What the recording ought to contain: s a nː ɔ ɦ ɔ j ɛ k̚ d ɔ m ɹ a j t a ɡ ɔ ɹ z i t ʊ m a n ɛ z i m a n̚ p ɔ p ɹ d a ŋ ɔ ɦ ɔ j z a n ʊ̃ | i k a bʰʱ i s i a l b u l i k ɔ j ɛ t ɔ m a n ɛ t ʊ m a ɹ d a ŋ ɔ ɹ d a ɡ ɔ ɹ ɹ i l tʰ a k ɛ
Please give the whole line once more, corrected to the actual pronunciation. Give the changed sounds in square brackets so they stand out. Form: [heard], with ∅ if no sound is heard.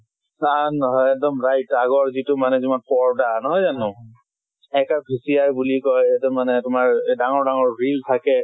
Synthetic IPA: s a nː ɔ ɦ ɔ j ɛ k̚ d ɔ m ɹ a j t a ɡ ɔ ɹ z i t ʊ m a n ɛ z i m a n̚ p ɔ [∅] ɹ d a [n] ɔ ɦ ɔ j z a n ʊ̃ | [ɛ] k a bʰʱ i s i a [ɹ] b u l i k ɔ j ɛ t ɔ m a n ɛ t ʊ m a ɹ d a ŋ ɔ ɹ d a [ŋ] ɔ ɹ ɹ i l tʰ a k ɛ